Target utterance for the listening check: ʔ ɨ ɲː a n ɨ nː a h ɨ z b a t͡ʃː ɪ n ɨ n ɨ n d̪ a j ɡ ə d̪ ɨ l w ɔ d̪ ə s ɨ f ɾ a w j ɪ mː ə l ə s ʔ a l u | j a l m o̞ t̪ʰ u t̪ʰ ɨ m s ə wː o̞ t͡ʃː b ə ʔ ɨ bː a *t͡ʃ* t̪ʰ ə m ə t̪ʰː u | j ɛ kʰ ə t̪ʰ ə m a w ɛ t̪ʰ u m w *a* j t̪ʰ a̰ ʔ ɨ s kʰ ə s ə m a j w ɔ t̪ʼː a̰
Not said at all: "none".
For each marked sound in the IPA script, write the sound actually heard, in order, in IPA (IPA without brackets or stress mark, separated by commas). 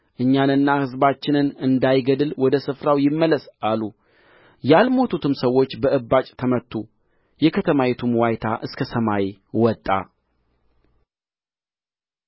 t͡ʃʼ, a